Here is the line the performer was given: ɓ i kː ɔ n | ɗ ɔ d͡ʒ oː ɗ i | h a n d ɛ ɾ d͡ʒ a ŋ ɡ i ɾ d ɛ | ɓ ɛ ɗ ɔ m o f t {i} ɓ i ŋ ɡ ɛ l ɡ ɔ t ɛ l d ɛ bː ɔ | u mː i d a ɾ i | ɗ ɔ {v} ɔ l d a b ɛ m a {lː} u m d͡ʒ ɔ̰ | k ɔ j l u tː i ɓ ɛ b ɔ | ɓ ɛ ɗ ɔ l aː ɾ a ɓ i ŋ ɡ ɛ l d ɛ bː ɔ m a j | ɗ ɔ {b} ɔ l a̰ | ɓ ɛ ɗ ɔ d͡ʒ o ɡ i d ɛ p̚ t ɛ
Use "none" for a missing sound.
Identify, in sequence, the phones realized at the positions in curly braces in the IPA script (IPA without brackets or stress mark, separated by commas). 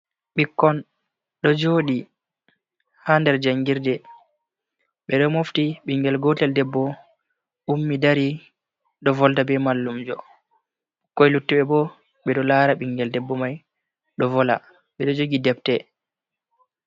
i, v, lː, v